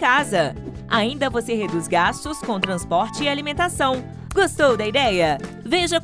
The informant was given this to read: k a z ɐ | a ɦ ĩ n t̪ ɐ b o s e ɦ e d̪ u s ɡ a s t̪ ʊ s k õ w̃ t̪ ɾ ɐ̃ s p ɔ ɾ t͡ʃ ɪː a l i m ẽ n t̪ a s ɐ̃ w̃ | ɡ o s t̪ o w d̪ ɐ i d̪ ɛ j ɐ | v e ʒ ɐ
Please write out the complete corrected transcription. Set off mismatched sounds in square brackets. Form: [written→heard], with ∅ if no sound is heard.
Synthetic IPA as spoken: k a z ɐ | a [ɦ→∅] ĩ n [t̪→d̪] ɐ [b→v] o s e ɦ e d̪ u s ɡ a s t̪ ʊ s k õ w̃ t̪ ɾ ɐ̃ s p ɔ ɾ t͡ʃ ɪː a l i m ẽ n t̪ a s ɐ̃ w̃ | ɡ o s t̪ o w d̪ ɐ i d̪ ɛ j ɐ | v e ʒ ɐ